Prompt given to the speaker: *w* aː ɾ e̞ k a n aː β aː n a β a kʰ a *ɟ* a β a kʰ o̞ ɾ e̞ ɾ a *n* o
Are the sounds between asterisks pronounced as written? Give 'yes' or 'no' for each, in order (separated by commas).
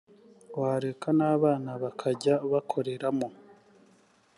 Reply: yes, yes, no